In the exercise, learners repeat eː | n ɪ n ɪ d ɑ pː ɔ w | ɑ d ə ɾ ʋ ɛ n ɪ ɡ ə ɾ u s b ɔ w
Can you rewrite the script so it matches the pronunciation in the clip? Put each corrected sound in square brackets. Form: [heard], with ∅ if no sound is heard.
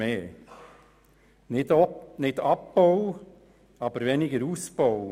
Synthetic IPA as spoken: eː | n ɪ n ɪ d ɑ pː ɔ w | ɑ [b] ə ɾ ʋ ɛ n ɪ ɡ ə ɾ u s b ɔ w